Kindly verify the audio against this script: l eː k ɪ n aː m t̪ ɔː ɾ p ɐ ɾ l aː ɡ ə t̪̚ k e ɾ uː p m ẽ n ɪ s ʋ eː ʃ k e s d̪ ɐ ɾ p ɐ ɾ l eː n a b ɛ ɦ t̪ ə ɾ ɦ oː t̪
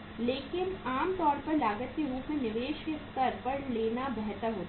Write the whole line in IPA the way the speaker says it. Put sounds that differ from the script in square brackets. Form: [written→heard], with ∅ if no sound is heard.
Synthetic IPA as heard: l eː k ɪ n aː m t̪ ɔː ɾ p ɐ ɾ l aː ɡ ə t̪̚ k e ɾ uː p m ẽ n ɪ [s→∅] ʋ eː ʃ k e s [d̪→t̪] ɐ ɾ p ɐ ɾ l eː n a b ɛ ɦ t̪ ə ɾ ɦ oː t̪